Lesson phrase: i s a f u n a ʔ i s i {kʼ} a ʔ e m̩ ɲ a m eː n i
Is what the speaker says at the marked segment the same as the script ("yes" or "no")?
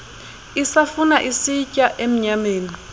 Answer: no